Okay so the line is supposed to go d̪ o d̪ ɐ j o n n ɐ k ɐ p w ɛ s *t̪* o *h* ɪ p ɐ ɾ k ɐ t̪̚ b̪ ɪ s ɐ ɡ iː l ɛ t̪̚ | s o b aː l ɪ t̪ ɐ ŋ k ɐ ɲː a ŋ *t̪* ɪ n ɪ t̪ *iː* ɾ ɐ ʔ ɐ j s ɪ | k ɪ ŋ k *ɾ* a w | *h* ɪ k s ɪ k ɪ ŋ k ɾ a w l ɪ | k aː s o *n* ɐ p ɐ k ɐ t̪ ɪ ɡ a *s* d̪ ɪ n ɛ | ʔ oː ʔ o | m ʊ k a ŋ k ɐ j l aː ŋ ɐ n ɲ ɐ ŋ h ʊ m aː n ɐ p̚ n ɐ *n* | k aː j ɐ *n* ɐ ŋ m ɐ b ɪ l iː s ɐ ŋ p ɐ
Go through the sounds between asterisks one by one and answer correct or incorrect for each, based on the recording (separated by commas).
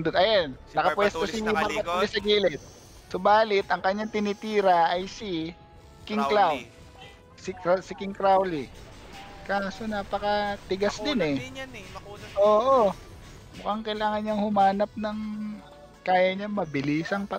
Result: correct, incorrect, correct, correct, incorrect, incorrect, correct, correct, incorrect, incorrect